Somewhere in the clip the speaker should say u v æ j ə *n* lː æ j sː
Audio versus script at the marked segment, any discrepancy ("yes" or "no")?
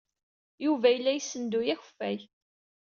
yes